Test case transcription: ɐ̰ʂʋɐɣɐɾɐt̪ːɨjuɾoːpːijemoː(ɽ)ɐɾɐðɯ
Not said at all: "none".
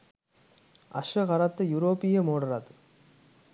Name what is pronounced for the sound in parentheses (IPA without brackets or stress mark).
ɽ